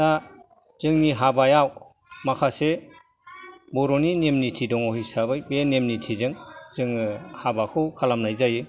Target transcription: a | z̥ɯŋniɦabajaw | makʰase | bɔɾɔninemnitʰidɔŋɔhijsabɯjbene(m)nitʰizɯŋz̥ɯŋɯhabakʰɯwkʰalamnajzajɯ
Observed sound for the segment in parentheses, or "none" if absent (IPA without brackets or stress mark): m